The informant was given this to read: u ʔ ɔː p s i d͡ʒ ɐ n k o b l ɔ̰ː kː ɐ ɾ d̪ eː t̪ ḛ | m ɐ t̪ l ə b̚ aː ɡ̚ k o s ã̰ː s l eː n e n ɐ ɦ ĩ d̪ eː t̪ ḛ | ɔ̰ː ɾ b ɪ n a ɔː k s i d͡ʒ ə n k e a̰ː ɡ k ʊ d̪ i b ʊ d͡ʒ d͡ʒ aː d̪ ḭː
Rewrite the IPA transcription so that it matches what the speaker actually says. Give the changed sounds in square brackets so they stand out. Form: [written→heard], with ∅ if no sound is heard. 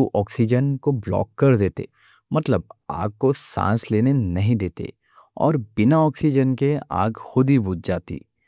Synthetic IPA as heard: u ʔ ɔː [p→k] s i d͡ʒ [ɐ→ə] n k o b l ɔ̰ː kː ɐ ɾ d̪ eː t̪ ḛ | m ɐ t̪ l ə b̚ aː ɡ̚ k o s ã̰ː s l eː n e n ɐ ɦ ĩ d̪ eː t̪ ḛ | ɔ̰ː ɾ b ɪ n a ɔː k s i d͡ʒ ə n k e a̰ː ɡ [k→x] ʊ d̪ i b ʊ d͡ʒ d͡ʒ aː [d̪→t̪] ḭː